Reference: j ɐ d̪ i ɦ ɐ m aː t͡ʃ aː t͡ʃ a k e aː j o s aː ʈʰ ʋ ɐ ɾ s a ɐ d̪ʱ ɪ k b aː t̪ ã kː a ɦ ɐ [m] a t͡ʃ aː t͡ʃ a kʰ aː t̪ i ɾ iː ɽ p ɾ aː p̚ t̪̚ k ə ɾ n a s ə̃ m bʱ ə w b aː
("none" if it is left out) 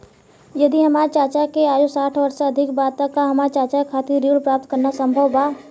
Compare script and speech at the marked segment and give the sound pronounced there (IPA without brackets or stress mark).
m